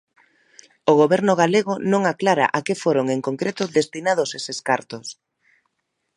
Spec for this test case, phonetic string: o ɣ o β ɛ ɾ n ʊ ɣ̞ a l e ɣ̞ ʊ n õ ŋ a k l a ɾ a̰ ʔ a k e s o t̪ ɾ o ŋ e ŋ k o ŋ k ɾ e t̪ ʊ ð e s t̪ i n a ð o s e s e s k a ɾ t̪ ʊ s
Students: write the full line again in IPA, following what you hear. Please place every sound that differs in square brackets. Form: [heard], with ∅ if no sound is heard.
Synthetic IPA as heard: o ɣ o β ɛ ɾ n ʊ ɣ̞ a l e ɣ̞ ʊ n õ ŋ a k l a ɾ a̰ ʔ a k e [f] o [∅] ɾ o ŋ e ŋ k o ŋ k ɾ e t̪ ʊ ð e s t̪ i n a ð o s e s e s k a ɾ t̪ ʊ s